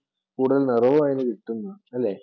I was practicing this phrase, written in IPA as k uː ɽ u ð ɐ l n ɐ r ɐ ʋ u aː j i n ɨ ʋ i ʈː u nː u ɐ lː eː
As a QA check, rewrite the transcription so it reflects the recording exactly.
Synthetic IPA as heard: k uː ɽ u ð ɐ l n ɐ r ɐ ʋ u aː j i n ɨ ʋ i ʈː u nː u ɐ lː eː